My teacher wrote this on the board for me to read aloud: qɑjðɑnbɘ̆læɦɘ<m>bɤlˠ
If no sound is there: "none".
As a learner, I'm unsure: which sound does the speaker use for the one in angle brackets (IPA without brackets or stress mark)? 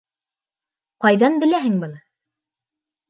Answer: ŋ